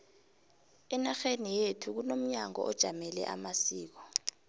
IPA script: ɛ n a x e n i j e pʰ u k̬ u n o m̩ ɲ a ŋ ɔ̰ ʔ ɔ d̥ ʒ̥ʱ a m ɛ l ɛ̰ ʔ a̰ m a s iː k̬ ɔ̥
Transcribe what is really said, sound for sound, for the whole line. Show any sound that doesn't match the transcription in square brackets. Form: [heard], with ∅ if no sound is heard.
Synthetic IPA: ɛ n a x e n i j e [tʰ] u k̬ u n o m̩ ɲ a ŋ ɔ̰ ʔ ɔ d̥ ʒ̥ʱ a m ɛ l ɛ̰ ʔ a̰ m a s iː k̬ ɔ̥